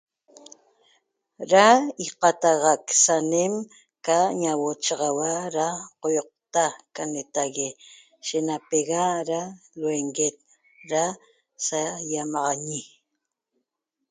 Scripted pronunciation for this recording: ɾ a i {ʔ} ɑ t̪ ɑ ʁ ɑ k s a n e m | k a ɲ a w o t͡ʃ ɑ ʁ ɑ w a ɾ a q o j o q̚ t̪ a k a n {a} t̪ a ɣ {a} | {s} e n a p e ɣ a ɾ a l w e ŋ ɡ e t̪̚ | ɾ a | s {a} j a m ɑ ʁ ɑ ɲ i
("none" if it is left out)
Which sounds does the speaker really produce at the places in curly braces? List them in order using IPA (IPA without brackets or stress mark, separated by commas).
q, e, e, ʃ, a